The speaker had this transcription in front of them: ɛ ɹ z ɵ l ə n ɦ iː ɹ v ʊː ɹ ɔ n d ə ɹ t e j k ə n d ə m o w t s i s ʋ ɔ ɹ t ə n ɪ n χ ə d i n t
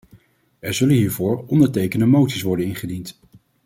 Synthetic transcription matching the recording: ɛ ɹ z ɵ l ə n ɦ iː ɹ v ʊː ɹ ɔ n d ə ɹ t e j k ə n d ə m o w t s i s ʋ ɔ ɹ d ə n ɪ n χ ə d i n t